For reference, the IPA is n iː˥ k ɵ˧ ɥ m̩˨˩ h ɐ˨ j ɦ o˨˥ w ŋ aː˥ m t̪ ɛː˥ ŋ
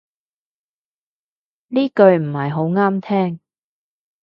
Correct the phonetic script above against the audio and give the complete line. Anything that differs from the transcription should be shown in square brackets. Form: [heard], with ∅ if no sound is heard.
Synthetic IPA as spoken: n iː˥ k ɵ˧ ɥ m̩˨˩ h ɐ˨ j ɦ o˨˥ w ŋ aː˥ m [t̪ʰ] ɛː˥ ŋ